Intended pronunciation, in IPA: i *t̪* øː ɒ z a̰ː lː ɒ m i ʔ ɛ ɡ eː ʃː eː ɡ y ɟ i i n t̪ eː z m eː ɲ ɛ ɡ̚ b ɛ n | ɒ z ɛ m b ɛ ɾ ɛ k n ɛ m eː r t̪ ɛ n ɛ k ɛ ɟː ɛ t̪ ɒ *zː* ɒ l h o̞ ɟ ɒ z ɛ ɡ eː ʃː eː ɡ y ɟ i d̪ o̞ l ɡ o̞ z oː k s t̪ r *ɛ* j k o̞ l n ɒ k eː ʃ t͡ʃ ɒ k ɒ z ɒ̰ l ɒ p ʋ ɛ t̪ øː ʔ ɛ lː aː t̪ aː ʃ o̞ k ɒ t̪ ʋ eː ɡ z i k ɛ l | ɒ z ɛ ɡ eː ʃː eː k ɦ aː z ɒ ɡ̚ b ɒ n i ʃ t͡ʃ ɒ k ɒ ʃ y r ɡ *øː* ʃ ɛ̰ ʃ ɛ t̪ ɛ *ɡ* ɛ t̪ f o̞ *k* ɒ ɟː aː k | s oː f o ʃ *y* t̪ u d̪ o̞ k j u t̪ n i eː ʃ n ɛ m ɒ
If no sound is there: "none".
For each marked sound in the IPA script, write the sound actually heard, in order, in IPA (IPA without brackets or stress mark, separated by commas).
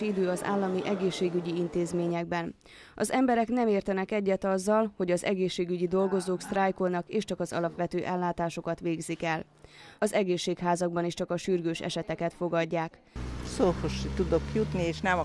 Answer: d̪, zː, a, øː, k, ɡ, i